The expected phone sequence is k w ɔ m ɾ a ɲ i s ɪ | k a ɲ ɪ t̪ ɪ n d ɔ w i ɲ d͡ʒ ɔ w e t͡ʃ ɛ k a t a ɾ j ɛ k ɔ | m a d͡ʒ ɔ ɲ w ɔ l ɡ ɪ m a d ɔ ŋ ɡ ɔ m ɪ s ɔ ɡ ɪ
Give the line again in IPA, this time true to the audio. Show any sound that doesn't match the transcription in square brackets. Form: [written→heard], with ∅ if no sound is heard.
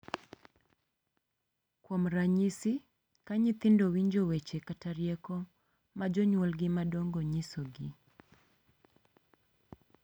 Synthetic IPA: k w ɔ m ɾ a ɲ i s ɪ | k a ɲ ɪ t̪ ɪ n d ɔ w i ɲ d͡ʒ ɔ w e t͡ʃ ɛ k a t a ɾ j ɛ k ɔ | m a d͡ʒ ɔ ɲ w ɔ l ɡ ɪ m a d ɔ ŋ ɡ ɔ [m→ɲ] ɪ s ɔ ɡ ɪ